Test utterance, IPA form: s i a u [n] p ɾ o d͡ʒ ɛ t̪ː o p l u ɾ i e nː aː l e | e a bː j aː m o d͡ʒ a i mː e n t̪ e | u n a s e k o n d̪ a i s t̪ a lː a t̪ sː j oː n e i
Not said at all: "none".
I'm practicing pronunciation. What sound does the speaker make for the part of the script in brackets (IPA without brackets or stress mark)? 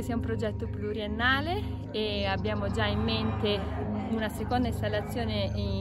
m